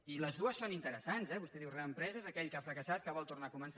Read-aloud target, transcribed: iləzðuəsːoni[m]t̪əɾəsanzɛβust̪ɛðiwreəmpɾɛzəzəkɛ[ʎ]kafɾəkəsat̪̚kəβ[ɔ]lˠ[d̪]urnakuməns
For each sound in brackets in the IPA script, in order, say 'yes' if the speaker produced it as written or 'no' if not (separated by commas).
no, yes, yes, no